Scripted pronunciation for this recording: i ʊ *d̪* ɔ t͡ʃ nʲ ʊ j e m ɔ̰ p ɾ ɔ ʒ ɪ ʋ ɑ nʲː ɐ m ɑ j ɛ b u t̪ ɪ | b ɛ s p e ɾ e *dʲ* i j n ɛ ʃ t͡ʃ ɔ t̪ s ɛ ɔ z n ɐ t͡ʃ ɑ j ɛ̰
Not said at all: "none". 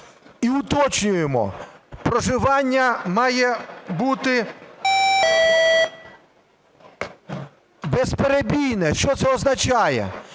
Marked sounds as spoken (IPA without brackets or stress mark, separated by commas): t̪, bʲ